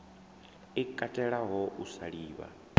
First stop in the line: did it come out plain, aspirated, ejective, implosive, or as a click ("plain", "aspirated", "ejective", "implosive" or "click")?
ejective